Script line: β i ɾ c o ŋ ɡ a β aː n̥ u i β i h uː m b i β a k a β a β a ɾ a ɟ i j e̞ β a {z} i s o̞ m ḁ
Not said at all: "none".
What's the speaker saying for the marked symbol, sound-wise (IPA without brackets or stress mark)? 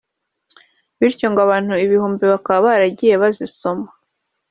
z